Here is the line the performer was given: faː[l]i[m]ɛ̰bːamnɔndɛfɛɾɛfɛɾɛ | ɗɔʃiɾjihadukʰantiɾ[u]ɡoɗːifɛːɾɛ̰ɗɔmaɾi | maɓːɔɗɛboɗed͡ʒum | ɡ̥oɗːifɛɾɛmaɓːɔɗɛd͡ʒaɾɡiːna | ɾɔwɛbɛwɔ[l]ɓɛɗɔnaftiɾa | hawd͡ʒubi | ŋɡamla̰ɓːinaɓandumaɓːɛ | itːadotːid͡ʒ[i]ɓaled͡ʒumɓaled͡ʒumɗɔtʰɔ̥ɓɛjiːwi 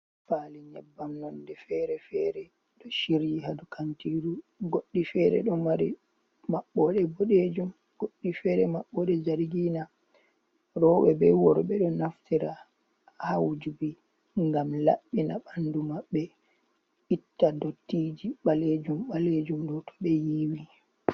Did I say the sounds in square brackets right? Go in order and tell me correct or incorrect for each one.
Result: correct, incorrect, correct, incorrect, correct

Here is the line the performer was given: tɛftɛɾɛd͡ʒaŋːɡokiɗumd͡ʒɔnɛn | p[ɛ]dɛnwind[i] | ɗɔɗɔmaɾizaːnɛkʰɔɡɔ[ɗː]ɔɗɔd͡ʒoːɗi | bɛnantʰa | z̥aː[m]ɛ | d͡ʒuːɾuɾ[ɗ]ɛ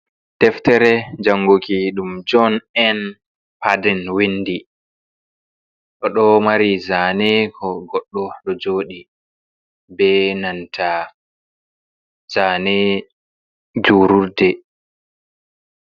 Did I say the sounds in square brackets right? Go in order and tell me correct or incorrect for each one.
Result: incorrect, correct, correct, incorrect, incorrect

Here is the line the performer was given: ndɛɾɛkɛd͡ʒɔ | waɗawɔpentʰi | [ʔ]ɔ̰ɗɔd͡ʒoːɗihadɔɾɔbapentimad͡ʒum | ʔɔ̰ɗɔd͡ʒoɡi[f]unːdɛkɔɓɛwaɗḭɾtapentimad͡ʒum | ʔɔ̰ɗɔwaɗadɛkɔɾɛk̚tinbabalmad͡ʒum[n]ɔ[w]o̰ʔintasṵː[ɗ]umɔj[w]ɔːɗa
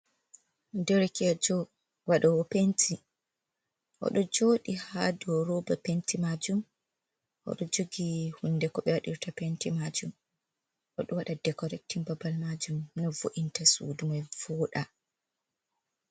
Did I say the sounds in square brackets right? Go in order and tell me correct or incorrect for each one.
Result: correct, incorrect, correct, incorrect, incorrect, incorrect

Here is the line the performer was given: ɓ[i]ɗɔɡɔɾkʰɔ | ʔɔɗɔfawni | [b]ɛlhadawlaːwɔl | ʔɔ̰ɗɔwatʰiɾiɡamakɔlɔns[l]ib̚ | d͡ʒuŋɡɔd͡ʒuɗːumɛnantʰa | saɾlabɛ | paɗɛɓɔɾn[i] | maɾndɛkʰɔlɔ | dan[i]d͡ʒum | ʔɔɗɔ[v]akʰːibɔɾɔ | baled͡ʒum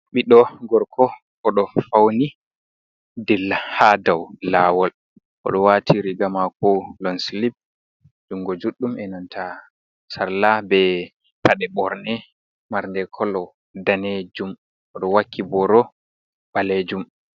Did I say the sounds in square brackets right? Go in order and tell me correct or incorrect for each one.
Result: correct, incorrect, correct, incorrect, incorrect, incorrect

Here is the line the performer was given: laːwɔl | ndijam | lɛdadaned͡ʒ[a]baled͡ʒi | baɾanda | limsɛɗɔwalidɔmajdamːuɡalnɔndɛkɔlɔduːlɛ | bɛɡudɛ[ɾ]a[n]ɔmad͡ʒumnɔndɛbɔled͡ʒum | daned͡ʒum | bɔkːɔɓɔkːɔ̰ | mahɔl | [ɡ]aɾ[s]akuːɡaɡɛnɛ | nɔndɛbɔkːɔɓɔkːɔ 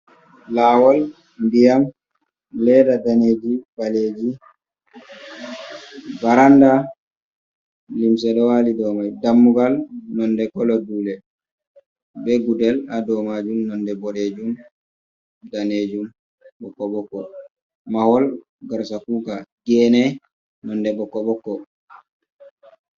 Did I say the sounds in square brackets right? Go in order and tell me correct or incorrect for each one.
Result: incorrect, incorrect, incorrect, correct, correct

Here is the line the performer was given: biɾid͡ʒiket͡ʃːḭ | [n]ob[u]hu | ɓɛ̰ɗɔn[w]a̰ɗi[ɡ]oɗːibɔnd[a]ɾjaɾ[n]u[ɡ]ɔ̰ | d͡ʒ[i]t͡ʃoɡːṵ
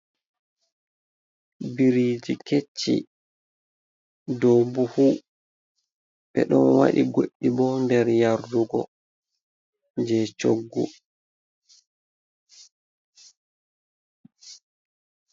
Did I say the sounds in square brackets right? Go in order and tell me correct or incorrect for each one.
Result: incorrect, correct, correct, correct, incorrect, incorrect, correct, incorrect

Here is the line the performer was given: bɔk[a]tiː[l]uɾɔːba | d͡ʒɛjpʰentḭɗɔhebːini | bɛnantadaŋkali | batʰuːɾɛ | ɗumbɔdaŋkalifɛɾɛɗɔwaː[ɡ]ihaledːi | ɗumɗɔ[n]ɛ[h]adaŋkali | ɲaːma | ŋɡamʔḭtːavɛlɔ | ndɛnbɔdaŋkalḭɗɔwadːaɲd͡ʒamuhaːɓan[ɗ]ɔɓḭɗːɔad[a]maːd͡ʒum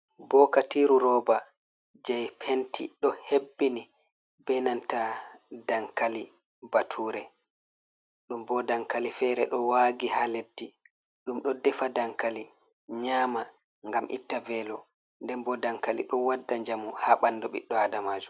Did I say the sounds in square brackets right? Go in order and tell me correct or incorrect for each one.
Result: correct, incorrect, correct, incorrect, incorrect, incorrect, correct

